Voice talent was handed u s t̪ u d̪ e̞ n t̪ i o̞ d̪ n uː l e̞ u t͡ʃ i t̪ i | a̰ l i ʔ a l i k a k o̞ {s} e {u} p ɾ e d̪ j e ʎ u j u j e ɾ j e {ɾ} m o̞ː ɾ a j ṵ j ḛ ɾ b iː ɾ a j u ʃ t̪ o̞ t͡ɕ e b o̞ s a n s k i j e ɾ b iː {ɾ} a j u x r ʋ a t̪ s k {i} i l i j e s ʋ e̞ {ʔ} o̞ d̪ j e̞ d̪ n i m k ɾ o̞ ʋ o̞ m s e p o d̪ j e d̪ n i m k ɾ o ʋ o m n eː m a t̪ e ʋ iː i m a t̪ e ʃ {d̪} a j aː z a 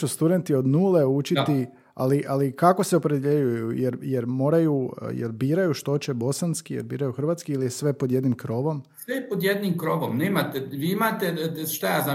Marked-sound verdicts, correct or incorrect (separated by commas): correct, incorrect, correct, correct, correct, incorrect, incorrect